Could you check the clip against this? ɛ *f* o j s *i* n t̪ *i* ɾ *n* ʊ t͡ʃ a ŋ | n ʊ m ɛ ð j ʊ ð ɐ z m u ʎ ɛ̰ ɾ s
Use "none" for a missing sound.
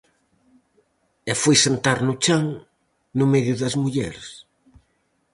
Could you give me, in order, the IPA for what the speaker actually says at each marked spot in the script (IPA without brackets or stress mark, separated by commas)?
f, e, a, n